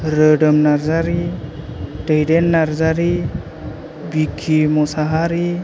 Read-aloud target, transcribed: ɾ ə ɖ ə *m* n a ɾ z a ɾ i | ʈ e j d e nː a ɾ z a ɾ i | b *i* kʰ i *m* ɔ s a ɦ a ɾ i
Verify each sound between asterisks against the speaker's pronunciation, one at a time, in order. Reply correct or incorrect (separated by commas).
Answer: correct, correct, correct